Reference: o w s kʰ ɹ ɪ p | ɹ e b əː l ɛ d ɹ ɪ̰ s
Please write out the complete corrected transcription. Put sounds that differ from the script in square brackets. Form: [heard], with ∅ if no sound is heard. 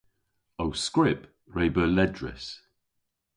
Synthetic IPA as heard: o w s [k] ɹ ɪ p | ɹ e b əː l ɛ d ɹ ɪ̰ s